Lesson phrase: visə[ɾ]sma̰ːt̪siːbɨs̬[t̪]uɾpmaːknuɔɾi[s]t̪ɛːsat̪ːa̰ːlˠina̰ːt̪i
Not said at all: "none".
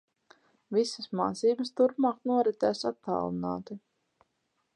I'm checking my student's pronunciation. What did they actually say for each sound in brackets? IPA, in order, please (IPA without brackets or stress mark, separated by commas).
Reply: none, t̪, none